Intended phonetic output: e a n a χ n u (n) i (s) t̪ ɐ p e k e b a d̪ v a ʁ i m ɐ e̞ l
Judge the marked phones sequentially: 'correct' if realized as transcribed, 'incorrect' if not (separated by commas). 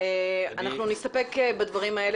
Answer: correct, correct